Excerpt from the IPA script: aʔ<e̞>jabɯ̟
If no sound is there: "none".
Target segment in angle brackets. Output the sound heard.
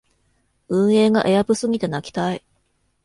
e̞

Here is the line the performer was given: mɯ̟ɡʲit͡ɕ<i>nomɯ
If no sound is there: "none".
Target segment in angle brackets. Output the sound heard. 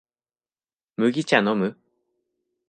a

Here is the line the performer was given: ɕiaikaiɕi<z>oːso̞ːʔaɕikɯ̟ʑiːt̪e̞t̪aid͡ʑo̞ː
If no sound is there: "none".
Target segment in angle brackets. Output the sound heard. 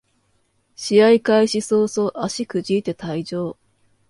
s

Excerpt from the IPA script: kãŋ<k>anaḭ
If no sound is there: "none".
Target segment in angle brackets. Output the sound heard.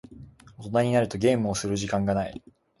ɡ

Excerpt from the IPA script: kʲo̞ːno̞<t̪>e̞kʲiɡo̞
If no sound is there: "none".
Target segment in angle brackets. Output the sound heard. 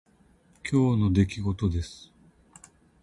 d̪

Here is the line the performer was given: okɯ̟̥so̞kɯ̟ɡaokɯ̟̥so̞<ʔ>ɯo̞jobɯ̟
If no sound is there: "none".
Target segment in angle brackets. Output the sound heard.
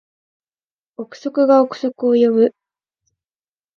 k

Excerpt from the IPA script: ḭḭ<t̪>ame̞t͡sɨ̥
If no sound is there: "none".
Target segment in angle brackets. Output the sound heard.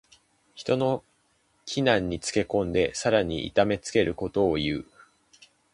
t̪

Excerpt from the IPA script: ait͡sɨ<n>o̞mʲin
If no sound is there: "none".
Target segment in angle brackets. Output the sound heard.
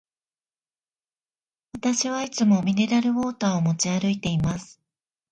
m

